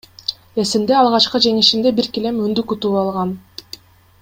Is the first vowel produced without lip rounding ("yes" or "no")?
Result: yes